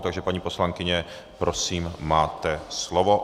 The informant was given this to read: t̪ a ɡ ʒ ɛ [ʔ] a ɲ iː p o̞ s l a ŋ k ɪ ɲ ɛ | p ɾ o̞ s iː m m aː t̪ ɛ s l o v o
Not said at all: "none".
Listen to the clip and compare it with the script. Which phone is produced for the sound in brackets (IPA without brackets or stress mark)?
p